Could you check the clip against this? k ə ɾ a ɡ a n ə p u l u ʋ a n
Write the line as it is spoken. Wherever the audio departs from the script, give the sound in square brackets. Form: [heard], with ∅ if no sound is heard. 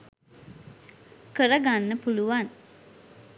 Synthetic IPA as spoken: k ə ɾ [ə] ɡ a [nː] ə p u l u ʋ a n

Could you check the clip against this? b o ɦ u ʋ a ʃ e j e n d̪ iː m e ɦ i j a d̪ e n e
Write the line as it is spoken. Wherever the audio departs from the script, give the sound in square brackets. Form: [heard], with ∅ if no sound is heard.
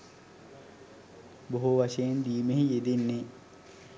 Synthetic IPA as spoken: b o ɦ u ʋ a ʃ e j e n d̪ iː m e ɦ i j [e] d̪ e [nː] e

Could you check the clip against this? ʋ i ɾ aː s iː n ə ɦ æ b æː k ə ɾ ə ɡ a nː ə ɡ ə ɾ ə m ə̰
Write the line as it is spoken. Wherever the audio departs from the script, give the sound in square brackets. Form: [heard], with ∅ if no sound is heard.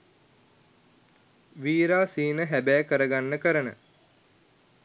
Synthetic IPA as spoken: ʋ [iː] ɾ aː s iː n ə ɦ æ b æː k ə ɾ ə ɡ a nː ə [k] ə ɾ ə [n] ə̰

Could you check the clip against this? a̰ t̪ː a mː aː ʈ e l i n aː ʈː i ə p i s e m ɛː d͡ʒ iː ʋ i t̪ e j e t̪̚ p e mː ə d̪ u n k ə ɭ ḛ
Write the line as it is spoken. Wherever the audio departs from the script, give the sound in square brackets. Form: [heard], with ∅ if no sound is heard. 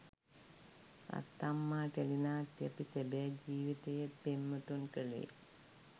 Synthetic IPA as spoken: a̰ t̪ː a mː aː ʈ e l i n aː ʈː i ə p i s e [b] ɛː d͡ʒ iː ʋ i t̪ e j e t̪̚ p e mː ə [t̪] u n k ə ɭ ḛ

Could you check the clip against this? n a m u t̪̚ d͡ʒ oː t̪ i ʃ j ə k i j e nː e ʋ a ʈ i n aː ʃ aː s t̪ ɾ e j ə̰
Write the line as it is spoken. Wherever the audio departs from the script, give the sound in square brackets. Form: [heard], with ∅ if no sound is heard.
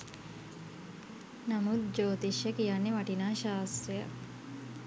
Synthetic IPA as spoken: n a m u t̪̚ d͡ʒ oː t̪ i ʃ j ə k i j [a] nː e ʋ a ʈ i n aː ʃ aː s t̪ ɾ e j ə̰

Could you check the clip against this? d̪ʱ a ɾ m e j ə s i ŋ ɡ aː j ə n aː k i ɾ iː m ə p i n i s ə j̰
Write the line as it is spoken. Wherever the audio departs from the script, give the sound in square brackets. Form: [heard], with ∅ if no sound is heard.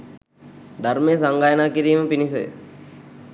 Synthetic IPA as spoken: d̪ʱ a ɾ m e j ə s [a] ŋ ɡ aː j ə n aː k i ɾ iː m ə p i n i s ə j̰

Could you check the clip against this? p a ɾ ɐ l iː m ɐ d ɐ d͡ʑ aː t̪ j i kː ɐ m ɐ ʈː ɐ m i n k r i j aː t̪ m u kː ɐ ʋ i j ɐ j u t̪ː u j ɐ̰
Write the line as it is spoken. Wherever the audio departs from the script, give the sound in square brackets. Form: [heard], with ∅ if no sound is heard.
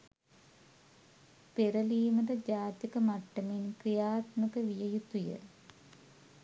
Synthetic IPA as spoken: p [e] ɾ ɐ l iː m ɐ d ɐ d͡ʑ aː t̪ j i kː ɐ m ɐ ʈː ɐ m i n k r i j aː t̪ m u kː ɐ ʋ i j ɐ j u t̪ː u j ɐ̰

